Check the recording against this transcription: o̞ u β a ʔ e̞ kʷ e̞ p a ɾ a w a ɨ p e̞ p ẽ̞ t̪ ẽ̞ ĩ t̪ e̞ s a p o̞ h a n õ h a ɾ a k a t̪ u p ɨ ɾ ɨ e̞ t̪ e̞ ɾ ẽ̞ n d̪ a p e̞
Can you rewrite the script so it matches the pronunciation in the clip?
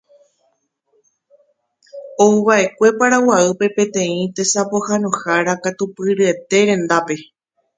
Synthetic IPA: o̞ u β a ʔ e̞ kʷ e̞ p a ɾ a w a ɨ p e̞ p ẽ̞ t̪ ẽ̞ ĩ t̪ e̞ s a p o̞ h a n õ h a ɾ a k a t̪ u p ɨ ɾ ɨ e̞ t̪ e̞ ɾ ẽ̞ n d̪ a p e̞